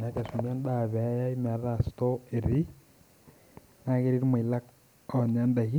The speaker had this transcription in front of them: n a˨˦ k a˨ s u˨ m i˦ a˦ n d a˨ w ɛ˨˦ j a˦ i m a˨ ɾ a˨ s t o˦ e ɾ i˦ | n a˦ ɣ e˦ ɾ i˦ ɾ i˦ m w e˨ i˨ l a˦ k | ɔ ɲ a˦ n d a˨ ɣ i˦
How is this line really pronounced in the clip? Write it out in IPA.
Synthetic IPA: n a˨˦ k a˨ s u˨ m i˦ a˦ n d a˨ β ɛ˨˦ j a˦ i m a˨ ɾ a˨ s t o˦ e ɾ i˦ | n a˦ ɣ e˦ ɾ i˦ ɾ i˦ m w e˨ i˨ l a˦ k | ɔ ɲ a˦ n d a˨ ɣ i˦